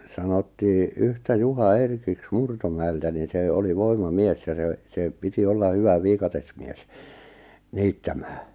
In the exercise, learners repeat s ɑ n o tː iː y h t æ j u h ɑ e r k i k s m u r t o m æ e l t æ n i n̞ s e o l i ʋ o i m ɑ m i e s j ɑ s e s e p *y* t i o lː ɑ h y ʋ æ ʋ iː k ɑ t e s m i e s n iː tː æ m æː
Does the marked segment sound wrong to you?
yes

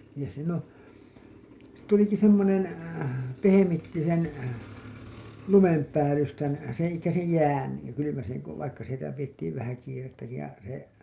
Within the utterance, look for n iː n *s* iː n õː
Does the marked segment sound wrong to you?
no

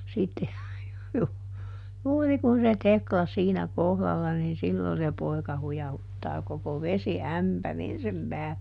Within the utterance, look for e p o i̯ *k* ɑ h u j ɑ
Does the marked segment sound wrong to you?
no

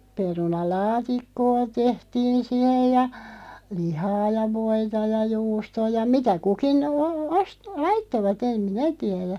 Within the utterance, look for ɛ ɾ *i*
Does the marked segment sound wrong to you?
yes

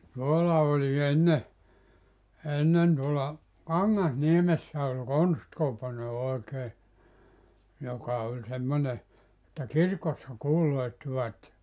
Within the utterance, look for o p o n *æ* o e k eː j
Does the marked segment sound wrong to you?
yes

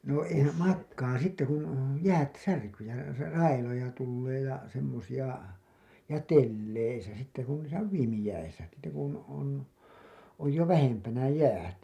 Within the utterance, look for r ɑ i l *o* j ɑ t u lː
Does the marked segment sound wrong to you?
no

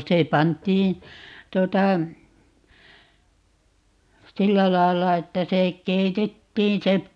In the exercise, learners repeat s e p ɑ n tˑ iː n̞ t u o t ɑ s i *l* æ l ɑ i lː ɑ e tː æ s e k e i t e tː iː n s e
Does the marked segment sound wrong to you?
yes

